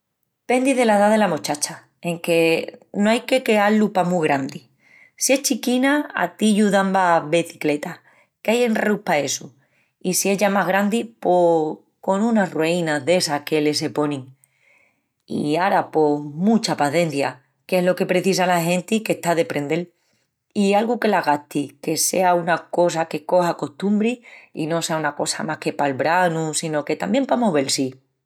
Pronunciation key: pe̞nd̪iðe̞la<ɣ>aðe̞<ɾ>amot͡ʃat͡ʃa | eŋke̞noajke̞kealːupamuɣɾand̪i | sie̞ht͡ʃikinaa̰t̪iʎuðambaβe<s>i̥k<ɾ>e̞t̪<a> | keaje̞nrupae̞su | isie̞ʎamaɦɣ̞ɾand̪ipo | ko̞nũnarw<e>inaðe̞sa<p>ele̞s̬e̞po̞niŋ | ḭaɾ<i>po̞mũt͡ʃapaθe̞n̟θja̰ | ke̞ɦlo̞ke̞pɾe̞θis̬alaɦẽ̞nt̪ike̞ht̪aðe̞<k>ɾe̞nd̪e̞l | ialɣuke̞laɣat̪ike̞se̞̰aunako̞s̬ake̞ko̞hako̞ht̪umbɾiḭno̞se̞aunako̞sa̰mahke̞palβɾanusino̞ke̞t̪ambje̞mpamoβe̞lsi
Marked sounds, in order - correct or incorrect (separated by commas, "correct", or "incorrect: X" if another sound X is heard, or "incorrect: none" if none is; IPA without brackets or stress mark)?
incorrect: ð, incorrect: l, incorrect: θ, incorrect: l, correct, correct, incorrect: k, incorrect: a, incorrect: p